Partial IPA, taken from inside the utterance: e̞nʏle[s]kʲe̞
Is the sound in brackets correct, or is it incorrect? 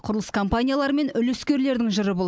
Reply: correct